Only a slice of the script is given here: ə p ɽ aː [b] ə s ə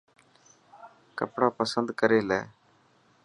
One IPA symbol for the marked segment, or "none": p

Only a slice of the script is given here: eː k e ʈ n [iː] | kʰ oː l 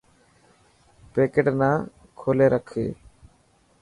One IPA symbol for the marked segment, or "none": aː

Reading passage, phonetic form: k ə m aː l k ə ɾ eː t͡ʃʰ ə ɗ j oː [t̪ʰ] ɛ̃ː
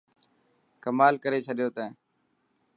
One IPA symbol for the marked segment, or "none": t̪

